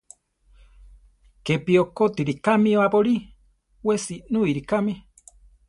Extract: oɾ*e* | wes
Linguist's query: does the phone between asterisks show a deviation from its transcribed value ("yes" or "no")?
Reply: yes